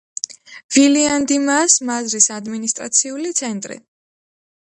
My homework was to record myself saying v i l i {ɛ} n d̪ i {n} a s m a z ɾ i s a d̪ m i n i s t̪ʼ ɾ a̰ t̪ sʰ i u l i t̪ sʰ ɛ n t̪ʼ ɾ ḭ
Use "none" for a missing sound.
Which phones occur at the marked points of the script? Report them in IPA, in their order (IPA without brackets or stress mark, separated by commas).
a, m